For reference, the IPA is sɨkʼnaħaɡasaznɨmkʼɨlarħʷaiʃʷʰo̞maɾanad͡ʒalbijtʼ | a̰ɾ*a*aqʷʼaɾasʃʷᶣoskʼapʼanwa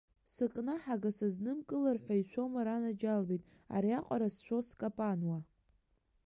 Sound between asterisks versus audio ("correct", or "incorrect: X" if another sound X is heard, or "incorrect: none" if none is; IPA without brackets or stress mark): incorrect: i